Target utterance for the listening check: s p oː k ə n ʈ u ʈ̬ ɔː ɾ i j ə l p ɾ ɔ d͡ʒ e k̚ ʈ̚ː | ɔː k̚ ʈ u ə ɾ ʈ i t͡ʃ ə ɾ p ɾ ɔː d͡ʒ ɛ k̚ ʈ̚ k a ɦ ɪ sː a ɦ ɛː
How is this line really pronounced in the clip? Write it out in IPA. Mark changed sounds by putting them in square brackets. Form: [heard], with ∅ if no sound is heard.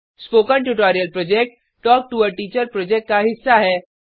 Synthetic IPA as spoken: s p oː k ə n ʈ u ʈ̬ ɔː ɾ i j ə l p ɾ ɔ d͡ʒ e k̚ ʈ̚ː | ɔː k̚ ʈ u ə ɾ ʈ [iː] t͡ʃ ə ɾ p ɾ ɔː d͡ʒ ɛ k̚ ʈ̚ k a ɦ ɪ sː a ɦ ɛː